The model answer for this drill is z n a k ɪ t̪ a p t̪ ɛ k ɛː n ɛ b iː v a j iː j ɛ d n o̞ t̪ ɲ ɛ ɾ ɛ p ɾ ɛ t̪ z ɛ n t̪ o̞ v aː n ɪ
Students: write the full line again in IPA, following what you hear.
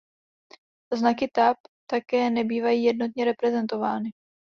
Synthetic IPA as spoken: z n a k ɪ t̪ a p t̪ a k ɛː n ɛ b iː v a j iː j ɛ d n o̞ t̪ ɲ ɛ ɾ ɛ p ɾ ɛ z ɛ n t̪ o̞ v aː n ɪ